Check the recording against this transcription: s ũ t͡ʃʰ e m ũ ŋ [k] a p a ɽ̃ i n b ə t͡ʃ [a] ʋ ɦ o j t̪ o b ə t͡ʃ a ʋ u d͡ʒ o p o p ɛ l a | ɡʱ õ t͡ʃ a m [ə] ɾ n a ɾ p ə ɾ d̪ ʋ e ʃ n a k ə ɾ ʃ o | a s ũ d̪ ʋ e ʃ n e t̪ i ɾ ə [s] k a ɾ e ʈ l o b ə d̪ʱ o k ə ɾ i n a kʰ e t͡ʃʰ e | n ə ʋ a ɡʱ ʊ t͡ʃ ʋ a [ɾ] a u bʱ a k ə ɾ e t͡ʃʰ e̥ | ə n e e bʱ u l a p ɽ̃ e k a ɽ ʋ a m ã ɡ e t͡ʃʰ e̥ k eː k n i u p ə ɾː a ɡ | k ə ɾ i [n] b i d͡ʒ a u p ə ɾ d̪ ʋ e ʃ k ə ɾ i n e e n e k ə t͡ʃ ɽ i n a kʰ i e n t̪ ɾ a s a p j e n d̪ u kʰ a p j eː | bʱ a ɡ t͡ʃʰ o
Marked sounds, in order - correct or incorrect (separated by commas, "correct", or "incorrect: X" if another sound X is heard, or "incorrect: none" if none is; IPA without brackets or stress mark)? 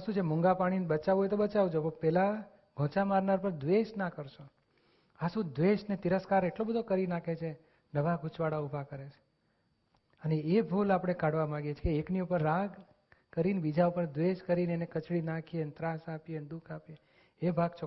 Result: incorrect: ɡ, correct, incorrect: a, correct, incorrect: ɽ, correct